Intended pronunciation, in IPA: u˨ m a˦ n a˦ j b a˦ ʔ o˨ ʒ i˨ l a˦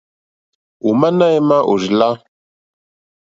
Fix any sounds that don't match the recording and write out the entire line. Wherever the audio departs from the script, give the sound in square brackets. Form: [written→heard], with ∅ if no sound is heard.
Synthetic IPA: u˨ m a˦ n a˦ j [b→m] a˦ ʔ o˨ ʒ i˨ l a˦